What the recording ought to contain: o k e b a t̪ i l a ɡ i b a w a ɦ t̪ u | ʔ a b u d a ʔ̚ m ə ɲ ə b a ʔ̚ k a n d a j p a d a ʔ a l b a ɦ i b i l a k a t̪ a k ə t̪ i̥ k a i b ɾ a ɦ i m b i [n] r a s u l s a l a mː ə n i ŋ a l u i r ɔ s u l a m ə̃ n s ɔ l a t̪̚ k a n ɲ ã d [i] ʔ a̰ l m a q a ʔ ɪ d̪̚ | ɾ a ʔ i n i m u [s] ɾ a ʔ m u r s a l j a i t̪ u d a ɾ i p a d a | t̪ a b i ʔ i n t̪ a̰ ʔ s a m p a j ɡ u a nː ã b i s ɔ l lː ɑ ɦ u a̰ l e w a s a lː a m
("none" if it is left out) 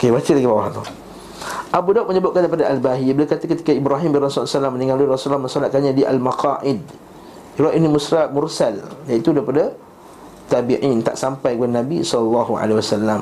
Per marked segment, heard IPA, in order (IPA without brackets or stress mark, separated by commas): n, i, s